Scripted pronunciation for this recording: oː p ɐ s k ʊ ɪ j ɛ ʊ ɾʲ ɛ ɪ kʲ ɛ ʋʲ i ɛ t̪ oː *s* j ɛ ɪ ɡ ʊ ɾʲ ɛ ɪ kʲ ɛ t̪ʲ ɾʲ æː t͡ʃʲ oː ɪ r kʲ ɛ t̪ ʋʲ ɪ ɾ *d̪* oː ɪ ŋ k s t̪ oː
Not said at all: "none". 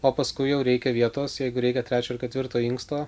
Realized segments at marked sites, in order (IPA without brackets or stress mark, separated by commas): s, t̪